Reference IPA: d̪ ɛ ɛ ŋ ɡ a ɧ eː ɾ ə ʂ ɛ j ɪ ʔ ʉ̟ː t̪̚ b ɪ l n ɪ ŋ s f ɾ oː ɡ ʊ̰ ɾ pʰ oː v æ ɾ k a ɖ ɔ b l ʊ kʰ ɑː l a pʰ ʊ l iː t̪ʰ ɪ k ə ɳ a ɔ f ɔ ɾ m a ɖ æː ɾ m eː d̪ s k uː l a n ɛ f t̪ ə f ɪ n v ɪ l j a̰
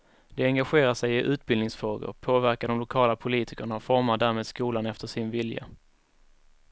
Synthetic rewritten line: d̪ ɛ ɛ ŋ ɡ a ɧ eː ɾ a ʂ ɛ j ɪ ʔ ʉ̟ː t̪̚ b ɪ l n ɪ ŋ s f ɾ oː ɡ ʊ̰ ɾ pʰ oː v æ ɾ k a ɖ ɔ m l ʊ kʰ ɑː l a pʰ ʊ l iː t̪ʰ ɪ k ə ɳ a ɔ f ɔ ɾ m a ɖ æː ɾ m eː d̪ s k uː l a n ɛ f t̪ ə ʂ ɪ n v ɪ l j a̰